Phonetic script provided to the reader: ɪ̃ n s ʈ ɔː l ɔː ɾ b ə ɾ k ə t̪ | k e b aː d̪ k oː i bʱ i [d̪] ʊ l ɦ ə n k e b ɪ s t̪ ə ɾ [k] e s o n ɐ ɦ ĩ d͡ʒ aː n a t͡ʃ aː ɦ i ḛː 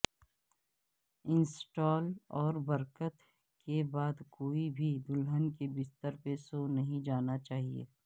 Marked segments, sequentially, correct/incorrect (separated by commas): correct, incorrect